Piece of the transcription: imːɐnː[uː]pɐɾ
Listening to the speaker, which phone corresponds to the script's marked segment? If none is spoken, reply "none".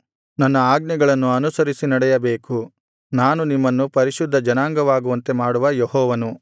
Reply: u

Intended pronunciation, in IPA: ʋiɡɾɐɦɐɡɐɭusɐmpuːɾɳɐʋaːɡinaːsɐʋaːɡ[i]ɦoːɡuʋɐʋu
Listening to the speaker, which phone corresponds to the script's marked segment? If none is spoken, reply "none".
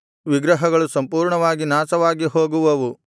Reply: i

